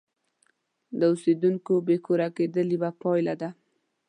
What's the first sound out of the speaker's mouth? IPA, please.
d̪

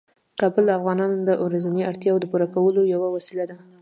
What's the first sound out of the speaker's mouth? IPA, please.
k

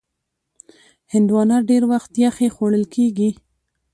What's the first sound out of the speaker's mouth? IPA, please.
h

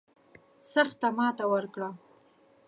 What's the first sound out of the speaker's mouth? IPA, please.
s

